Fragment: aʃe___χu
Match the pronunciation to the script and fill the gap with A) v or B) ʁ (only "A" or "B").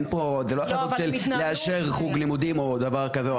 B